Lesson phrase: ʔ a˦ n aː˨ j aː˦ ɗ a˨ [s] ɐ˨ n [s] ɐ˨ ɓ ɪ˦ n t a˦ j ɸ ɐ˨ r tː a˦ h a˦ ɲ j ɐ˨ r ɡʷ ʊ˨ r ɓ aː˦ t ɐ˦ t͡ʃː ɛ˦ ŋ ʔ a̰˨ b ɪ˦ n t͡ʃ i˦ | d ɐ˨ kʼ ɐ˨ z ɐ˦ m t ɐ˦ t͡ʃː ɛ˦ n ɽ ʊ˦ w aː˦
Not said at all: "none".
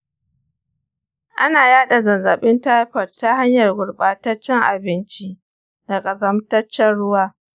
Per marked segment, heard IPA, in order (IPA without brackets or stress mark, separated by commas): z, z